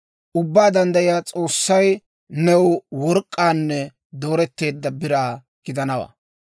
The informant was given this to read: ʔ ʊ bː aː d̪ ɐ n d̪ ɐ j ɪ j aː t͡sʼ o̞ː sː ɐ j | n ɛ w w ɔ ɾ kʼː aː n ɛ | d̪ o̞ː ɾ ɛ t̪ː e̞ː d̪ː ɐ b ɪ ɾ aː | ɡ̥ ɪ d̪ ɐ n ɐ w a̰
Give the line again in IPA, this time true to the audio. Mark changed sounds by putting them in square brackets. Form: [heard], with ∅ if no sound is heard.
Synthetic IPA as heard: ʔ ʊ bː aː d̪ ɐ n d̪ ɐ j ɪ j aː t͡sʼ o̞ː sː ɐ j | n ɛ w w ɔ ɾ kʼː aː [nː] ɛ | d̪ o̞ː ɾ ɛ t̪ː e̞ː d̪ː ɐ b ɪ ɾ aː | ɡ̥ ɪ d̪ ɐ n ɐ w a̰